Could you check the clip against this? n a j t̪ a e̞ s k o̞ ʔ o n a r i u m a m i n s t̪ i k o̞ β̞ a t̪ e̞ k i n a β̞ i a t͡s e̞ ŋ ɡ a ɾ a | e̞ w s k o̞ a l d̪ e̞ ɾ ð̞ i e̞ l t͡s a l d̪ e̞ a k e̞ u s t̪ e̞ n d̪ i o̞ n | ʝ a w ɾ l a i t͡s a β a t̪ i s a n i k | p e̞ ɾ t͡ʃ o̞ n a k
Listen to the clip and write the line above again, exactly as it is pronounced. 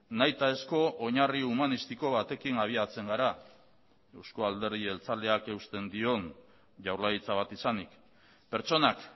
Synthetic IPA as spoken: n a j t̪ a e̞ s k o̞ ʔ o ɲ a r i u m a n i s t̪ i k o̞ β̞ a t̪ e̞ k i n a β̞ i a t͡s e̞ ŋ ɡ a ɾ a | e̞ w s k o̞ a l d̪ e̞ ɾ ð̞ i e̞ l t͡s a l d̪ e̞ a k e̞ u s t̪ e̞ n d̪ i o̞ n | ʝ a w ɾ l a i t͡s a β a t̪ i s a n i k | p e̞ ɾ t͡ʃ o̞ n a k